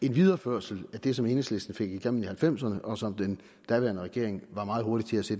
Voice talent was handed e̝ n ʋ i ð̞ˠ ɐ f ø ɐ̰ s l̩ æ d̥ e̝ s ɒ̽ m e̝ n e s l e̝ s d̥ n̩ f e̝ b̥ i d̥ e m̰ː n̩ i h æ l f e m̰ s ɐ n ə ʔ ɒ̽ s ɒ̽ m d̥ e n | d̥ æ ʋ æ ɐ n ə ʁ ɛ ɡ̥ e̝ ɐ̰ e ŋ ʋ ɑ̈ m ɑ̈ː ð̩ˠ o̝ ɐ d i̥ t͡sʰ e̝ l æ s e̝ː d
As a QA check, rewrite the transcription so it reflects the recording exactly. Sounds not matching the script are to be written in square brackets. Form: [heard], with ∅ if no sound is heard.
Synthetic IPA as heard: e̝ n ʋ i ð̞ˠ ɐ f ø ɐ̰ s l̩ æ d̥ e̝ s ɒ̽ m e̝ n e s l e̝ s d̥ n̩ f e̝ [ɡ̥] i [ɡ̥] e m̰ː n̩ i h æ l f e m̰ s ɐ n ə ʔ ɒ̽ s ɒ̽ m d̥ e n | d̥ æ ʋ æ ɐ n ə ʁ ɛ ɡ̥ e̝ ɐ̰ e ŋ ʋ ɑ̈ m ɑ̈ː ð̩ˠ o̝ ɐ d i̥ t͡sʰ e̝ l æ s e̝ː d

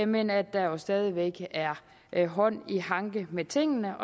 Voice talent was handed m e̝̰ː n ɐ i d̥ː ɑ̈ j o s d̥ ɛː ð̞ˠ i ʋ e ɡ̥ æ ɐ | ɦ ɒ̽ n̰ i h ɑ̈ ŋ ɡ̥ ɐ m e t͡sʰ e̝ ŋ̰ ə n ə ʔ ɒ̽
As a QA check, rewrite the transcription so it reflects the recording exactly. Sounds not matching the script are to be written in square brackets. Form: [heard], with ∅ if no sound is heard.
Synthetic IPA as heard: m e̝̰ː n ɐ [æ] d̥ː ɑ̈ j o s d̥ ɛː ð̞ˠ i ʋ e ɡ̥ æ ɐ | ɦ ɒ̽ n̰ i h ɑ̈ ŋ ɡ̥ [ə] m e t͡sʰ e̝ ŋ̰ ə n ə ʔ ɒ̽

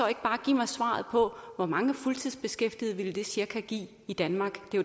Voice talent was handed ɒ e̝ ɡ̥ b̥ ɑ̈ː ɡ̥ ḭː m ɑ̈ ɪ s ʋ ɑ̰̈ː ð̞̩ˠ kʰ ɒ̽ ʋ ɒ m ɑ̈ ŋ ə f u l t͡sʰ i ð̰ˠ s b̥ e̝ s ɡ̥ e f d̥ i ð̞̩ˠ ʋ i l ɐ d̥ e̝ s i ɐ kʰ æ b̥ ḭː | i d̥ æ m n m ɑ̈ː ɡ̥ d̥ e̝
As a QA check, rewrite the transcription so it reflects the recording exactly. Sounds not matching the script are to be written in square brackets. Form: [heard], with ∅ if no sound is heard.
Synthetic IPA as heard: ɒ e̝ ɡ̥ b̥ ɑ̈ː ɡ̥ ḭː m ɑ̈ ɪ s ʋ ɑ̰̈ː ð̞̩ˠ [pʰ] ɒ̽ ʋ ɒ m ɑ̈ ŋ ə f u l t͡sʰ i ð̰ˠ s b̥ e̝ s ɡ̥ e f d̥ i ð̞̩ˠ ʋ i l [ə] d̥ e̝ s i ɐ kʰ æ [ɡ̥] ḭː | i d̥ æ [∅] n m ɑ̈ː ɡ̥ d̥ e̝

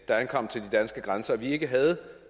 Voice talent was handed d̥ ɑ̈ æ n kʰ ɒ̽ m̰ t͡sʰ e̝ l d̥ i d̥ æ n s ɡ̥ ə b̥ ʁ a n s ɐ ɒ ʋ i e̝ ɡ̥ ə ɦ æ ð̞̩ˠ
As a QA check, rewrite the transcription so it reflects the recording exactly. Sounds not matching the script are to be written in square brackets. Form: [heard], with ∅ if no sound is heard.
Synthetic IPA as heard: d̥ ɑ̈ æ n kʰ ɒ̽ m̰ t͡sʰ e̝ l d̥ i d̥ æ n s ɡ̥ ə [ɡ̥] ʁ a n s ɐ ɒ ʋ i e̝ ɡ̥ ə ɦ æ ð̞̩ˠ

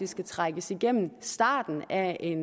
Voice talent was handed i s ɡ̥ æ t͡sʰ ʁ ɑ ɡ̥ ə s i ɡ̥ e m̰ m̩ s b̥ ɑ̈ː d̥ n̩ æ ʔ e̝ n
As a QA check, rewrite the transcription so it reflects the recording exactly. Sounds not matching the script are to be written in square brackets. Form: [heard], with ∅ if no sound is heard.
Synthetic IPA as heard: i s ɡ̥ æ t͡sʰ ʁ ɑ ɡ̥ ə s i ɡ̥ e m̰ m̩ s [d̥] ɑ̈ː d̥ n̩ æ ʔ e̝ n

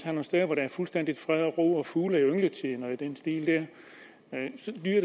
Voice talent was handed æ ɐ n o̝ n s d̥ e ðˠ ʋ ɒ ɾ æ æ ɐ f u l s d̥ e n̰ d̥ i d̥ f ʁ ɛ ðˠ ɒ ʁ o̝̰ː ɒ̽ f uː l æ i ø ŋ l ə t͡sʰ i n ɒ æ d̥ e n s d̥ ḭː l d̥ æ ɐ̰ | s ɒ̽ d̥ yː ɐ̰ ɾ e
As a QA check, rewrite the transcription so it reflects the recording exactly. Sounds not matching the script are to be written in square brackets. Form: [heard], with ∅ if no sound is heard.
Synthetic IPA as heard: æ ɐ n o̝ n s d̥ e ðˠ ʋ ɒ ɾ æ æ ɐ f u l s d̥ e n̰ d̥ i d̥ f ʁ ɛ ðˠ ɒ ʁ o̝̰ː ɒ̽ f uː l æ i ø ŋ l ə t͡sʰ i n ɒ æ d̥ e n s d̥ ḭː l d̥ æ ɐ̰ | s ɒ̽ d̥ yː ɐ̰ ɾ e

